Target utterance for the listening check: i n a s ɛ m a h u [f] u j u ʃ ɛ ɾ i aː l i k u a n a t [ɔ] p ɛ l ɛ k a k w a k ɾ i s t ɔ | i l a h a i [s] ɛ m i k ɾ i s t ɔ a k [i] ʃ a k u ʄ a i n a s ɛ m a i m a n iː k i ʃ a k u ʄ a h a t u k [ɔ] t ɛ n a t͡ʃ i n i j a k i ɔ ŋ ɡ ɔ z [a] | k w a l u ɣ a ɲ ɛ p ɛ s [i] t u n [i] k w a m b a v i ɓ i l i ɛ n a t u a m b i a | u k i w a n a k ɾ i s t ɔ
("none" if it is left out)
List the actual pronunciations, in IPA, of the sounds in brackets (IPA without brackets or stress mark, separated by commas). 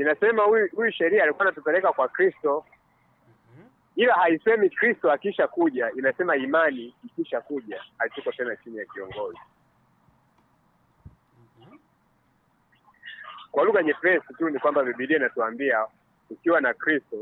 h, u, s, i, ɔ, i, i, i